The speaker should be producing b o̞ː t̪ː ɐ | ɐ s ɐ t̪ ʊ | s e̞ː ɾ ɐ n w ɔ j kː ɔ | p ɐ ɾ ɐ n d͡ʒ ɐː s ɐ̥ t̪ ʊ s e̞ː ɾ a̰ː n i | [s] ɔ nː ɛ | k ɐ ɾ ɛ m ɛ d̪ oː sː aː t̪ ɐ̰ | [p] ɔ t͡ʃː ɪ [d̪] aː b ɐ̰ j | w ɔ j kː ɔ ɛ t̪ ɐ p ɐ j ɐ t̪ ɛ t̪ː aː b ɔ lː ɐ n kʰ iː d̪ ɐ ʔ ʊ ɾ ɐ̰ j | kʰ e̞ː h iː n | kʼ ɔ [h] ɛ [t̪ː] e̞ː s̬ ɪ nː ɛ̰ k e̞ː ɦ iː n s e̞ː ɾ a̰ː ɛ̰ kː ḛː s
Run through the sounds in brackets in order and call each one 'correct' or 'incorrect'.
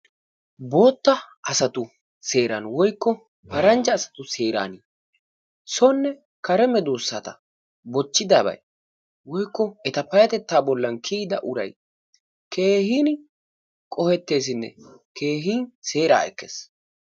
correct, incorrect, correct, correct, correct

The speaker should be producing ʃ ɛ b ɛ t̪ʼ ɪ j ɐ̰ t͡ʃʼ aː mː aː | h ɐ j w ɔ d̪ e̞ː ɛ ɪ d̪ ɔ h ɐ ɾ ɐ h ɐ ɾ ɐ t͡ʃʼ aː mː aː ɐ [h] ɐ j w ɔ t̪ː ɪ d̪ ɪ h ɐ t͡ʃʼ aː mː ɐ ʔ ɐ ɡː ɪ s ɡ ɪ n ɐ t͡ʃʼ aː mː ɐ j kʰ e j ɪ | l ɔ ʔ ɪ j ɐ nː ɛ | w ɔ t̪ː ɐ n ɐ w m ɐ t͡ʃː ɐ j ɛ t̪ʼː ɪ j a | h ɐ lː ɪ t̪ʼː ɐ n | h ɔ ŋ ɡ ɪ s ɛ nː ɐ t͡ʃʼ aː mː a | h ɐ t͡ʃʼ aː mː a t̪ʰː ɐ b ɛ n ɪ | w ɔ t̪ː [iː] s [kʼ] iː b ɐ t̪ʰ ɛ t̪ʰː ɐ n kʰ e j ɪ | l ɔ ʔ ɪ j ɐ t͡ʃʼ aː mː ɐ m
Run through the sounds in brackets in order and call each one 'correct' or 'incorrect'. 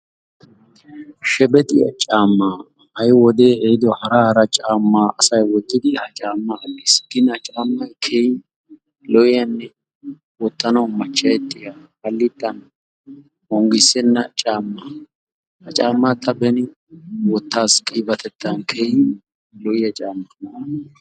incorrect, incorrect, correct

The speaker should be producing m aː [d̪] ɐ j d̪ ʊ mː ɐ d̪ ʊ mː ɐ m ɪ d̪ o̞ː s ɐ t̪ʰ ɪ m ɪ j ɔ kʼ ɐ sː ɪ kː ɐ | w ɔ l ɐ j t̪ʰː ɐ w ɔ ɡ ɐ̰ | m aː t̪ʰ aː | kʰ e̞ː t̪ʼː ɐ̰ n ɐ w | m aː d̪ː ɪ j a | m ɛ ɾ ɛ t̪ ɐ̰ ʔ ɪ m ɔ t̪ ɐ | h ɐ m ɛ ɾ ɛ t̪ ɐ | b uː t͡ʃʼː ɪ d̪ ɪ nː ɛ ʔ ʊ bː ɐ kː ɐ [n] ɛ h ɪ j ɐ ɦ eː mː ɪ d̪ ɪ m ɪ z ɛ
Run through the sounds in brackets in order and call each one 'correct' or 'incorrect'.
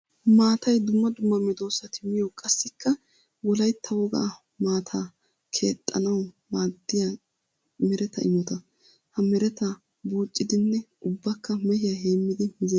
incorrect, incorrect

